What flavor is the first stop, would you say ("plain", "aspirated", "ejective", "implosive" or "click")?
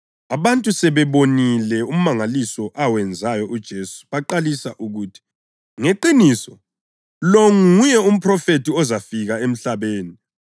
ejective